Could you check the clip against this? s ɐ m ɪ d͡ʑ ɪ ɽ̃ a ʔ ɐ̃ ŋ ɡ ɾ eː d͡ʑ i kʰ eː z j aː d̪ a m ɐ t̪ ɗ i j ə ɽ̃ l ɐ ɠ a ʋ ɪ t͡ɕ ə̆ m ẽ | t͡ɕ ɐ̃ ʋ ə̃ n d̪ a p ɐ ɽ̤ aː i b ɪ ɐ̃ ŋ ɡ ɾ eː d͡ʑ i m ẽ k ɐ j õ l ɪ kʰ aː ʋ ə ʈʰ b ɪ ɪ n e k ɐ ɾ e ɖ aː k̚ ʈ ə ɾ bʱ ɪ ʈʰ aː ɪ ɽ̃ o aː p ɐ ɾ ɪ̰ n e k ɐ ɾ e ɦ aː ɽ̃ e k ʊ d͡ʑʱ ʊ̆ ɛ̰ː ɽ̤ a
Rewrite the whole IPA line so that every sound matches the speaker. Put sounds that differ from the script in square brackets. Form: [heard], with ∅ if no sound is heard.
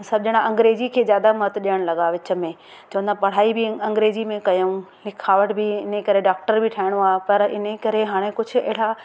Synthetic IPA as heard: s ɐ [b] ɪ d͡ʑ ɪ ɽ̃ a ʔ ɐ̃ ŋ ɡ ɾ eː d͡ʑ i kʰ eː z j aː d̪ a m ɐ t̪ ɗ i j ə ɽ̃ l ɐ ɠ a ʋ ɪ t͡ɕ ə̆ m ẽ | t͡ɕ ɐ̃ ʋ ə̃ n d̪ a p ɐ ɽ̤ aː i b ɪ ɐ̃ ŋ ɡ ɾ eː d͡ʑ i m ẽ k ɐ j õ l ɪ kʰ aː ʋ ə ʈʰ b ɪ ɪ n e k ɐ ɾ e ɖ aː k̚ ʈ ə ɾ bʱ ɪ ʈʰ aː ɪ ɽ̃ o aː p ɐ ɾ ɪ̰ n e k ɐ ɾ e ɦ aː ɽ̃ e k ʊ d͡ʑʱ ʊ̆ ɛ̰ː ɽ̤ a